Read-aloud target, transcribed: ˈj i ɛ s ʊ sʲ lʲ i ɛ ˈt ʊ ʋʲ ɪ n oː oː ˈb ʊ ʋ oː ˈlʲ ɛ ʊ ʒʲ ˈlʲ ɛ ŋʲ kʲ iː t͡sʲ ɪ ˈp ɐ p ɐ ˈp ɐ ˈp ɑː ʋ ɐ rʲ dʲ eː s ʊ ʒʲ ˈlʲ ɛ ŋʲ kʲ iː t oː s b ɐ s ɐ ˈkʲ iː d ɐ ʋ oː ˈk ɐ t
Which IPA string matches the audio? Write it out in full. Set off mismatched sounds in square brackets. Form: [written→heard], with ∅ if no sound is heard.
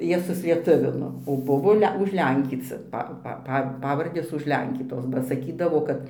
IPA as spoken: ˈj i ɛ s ʊ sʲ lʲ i ɛ ˈt ʊ ʋʲ ɪ n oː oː ˈb ʊ ʋ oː ˈlʲ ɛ ʊ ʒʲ ˈlʲ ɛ ŋʲ kʲ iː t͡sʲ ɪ ˈp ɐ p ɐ ˈp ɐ ˈp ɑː ʋ ɐ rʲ dʲ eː s ʊ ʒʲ ˈlʲ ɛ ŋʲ kʲ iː t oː s b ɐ s ɐ ˈkʲ iː d ɐ ʋ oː ˈk ɐ t